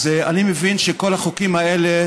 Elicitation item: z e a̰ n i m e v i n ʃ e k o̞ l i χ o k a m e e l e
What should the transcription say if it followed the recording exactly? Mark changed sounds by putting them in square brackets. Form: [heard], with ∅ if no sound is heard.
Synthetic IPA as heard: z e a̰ n i m e v i n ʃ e k o̞ l [a] χ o k [i] m [a] e l e